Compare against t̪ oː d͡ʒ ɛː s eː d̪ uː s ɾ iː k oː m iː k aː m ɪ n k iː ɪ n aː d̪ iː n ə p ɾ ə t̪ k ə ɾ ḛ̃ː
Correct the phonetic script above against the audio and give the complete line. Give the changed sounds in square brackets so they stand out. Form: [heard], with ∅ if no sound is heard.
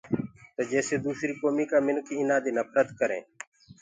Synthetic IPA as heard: t̪ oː d͡ʒ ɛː s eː d̪ uː s ɾ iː k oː m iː k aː m ɪ n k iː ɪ n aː d̪ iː n ə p ɾ ə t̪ k ə ɾ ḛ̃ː